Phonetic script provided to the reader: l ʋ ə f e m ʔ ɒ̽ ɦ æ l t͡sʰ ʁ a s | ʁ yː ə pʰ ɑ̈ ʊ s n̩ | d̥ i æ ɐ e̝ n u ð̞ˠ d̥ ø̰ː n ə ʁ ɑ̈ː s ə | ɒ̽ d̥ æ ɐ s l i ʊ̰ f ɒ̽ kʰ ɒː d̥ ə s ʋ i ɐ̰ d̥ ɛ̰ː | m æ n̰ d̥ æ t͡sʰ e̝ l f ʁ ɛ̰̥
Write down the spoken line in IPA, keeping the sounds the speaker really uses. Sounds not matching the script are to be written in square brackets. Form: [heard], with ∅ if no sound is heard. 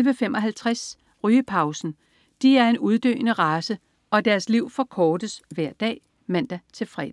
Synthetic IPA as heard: l ʋ ə f e m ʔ ɒ̽ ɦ æ l t͡sʰ ʁ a s | ʁ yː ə pʰ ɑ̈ ʊ s n̩ | d̥ i æ ɐ e̝ n u ð̞ˠ d̥ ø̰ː n ə ʁ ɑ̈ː s ə | ɒ̽ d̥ æ ɐ s l i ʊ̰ f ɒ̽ kʰ ɒː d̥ ə s ʋ [æ] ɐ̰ d̥ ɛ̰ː | m æ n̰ d̥ æ t͡sʰ e̝ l f ʁ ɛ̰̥

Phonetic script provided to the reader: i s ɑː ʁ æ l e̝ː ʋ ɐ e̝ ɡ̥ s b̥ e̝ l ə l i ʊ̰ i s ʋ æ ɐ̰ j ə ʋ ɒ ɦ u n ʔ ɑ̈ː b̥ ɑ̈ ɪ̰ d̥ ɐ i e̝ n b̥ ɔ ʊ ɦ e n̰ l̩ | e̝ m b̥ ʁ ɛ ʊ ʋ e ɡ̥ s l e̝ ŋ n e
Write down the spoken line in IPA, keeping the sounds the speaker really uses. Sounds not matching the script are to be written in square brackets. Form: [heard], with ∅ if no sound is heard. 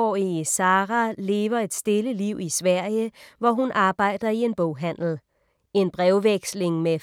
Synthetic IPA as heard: i s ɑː ʁ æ l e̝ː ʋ ɐ e̝ [d̥] s [d̥] e̝ l ə l i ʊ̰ i s ʋ æ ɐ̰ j ə ʋ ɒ ɦ u n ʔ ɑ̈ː b̥ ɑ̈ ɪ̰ d̥ ɐ i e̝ n b̥ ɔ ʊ ɦ [æ] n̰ l̩ | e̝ [n] b̥ ʁ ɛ ʊ ʋ e ɡ̥ s l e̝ ŋ [m] e

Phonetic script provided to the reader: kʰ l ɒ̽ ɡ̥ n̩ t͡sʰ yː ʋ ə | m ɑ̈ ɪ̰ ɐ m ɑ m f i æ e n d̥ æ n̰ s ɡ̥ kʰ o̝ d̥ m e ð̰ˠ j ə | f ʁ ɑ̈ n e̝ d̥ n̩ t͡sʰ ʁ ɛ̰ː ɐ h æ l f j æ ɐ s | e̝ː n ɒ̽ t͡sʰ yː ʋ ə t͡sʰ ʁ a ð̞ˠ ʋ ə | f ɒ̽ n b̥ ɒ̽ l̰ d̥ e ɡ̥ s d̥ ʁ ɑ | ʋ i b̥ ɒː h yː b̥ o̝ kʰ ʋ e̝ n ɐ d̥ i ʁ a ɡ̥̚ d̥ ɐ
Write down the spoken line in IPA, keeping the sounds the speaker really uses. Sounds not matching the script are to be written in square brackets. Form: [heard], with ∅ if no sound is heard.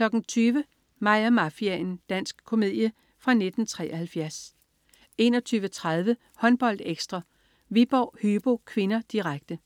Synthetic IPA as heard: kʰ l ɒ̽ ɡ̥ n̩ t͡sʰ yː ʋ ə | m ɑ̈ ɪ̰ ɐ m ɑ [∅] f i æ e n d̥ æ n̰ s ɡ̥ kʰ o̝ [∅] m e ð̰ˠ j ə | f ʁ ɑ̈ n e̝ d̥ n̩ t͡sʰ ʁ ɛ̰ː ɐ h æ l f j æ ɐ s | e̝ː n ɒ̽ t͡sʰ yː ʋ ə t͡sʰ ʁ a ð̞ˠ ʋ ə | [h] ɒ̽ n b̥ ɒ̽ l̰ d̥ e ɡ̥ s d̥ ʁ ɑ | ʋ i b̥ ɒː h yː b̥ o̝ kʰ ʋ e̝ n ɐ d̥ i ʁ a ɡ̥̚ d̥ [ə]

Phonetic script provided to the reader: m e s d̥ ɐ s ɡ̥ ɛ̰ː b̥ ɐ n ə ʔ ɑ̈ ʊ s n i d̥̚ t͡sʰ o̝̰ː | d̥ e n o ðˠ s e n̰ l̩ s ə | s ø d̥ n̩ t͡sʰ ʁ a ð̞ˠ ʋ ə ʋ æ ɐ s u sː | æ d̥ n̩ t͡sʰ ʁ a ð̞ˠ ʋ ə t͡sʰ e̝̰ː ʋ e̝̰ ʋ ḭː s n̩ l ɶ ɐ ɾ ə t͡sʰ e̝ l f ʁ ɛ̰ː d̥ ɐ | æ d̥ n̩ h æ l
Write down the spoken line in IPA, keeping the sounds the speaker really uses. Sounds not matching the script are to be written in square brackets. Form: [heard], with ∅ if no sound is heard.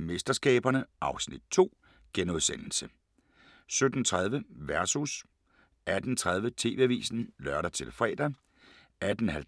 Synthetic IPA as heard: m e s d̥ ɐ s ɡ̥ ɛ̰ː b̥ ɐ n ə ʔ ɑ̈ ʊ s n i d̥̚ t͡sʰ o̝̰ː | [ɡ̥] e n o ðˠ s e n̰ l̩ s ə | s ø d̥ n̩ t͡sʰ ʁ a ð̞ˠ ʋ ə ʋ æ ɐ s u [s] | æ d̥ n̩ t͡sʰ ʁ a ð̞ˠ ʋ ə t͡sʰ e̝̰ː ʋ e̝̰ ʋ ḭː s n̩ l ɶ ɐ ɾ [ɐ] t͡sʰ e̝ l f ʁ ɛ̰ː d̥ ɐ | æ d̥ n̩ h æ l

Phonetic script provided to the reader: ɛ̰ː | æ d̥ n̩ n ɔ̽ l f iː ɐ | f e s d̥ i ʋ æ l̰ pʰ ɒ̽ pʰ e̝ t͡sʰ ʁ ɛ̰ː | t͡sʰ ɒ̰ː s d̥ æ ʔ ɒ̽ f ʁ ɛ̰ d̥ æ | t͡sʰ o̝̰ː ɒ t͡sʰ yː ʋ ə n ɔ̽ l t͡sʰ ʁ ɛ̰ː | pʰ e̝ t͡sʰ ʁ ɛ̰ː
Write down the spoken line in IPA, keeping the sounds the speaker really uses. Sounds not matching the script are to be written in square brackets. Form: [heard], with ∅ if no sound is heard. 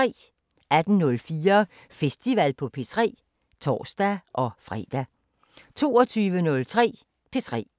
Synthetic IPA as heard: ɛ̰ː | æ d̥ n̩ n ɔ̽ l f iː ɐ | f e s d̥ i ʋ æ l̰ pʰ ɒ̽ pʰ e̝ t͡sʰ ʁ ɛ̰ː | t͡sʰ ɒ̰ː s d̥ æ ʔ ɒ̽ f ʁ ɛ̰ d̥ æ | t͡sʰ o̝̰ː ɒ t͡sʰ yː ʋ ə n ɔ̽ l t͡sʰ ʁ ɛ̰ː | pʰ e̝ t͡sʰ ʁ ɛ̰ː

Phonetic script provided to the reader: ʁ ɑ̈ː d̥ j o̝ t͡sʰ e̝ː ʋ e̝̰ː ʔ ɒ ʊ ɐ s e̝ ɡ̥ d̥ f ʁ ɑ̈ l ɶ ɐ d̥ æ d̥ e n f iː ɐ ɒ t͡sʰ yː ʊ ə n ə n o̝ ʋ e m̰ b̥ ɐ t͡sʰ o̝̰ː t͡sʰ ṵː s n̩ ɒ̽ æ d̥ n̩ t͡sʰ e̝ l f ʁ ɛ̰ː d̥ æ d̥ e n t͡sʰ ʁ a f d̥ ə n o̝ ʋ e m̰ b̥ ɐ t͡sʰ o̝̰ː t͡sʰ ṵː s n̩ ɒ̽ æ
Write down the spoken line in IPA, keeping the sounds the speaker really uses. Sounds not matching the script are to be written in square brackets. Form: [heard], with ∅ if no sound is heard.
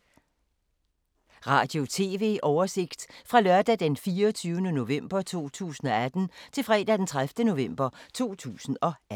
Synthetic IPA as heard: ʁ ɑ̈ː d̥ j o̝ t͡sʰ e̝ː ʋ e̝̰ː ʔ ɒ ʊ ɐ s e̝ ɡ̥ d̥ f ʁ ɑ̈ l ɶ ɐ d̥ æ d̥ e n f iː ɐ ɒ t͡sʰ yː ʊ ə n ə n o̝ ʋ e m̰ b̥ ɐ t͡sʰ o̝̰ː t͡sʰ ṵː s n̩ ɒ̽ æ d̥ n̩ t͡sʰ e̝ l f ʁ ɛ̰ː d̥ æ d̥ e n t͡sʰ ʁ a f d̥ ə n o̝ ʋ e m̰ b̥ ɐ t͡sʰ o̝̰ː t͡sʰ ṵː s n̩ ɒ̽ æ

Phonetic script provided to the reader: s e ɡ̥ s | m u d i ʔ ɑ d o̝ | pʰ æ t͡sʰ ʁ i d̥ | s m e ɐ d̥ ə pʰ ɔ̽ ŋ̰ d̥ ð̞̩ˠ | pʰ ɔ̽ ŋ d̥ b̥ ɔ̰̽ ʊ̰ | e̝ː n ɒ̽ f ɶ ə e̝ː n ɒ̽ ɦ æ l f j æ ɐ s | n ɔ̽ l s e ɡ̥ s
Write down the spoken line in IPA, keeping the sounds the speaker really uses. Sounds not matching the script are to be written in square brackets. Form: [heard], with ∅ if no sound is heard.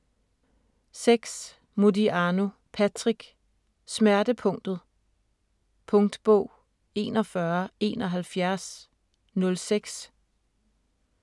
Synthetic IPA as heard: s e ɡ̥ s | m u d i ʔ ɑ [n] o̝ | pʰ æ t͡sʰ ʁ i [ɡ̥] | s m [æ] ɐ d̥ ə pʰ ɔ̽ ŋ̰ d̥ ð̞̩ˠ | pʰ ɔ̽ ŋ d̥ b̥ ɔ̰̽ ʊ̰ | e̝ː n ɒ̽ f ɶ [ɐ] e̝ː n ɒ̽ ɦ æ l f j æ ɐ s | n ɔ̽ l s e ɡ̥ s

